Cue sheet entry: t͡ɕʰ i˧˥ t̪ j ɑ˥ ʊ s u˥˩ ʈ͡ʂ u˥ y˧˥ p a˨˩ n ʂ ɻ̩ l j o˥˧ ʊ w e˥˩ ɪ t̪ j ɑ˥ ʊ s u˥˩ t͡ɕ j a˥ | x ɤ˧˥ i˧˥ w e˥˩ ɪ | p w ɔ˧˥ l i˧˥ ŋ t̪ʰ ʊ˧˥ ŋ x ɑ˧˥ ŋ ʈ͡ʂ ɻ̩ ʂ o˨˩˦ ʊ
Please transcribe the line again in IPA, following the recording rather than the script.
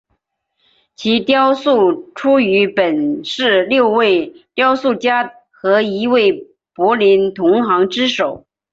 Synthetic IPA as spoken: t͡ɕʰ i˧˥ t̪ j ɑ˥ ʊ s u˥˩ ʈ͡ʂʰ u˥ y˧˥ p ə˨˩ n ʂ ɻ̩ l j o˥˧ ʊ w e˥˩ ɪ t̪ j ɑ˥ ʊ s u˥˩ t͡ɕ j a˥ | x ɤ˧˥ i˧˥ w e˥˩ ɪ | p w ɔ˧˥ l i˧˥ n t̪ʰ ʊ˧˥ ŋ x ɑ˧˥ ŋ ʈ͡ʂ ɻ̩ ʂ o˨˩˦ ʊ